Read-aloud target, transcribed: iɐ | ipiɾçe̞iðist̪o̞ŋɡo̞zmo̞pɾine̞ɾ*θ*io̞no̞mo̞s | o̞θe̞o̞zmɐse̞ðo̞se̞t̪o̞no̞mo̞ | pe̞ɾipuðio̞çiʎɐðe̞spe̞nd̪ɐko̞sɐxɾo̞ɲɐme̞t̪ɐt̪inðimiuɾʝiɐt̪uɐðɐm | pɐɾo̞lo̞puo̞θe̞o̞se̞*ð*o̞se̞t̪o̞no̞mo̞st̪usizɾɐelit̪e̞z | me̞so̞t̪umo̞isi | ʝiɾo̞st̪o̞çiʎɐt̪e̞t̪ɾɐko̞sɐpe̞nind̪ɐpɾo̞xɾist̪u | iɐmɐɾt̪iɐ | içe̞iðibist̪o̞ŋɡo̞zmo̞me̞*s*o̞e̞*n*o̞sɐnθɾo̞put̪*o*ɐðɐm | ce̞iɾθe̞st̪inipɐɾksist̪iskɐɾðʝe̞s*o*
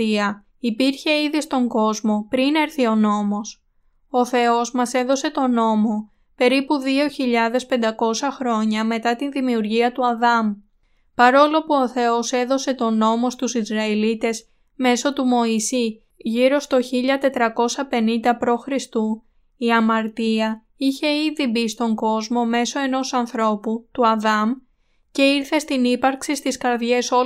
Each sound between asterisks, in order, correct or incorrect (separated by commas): correct, correct, correct, correct, incorrect, correct